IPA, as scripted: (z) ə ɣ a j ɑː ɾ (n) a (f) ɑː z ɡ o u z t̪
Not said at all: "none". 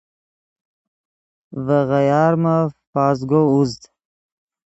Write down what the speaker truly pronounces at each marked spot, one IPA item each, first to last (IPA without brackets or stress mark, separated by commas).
v, m, f